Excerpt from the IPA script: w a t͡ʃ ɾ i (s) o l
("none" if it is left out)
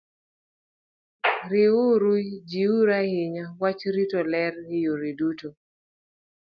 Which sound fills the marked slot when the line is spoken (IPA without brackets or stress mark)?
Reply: t